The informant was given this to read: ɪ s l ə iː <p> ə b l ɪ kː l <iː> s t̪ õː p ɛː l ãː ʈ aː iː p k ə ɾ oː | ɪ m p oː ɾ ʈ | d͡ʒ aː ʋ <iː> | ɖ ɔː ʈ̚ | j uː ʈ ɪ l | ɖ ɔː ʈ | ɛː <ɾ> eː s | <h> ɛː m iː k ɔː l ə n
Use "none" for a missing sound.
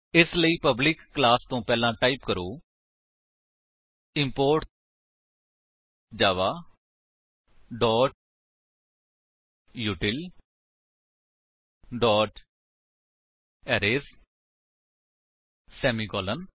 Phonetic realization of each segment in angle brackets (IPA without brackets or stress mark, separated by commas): p, aː, aː, ɾ, s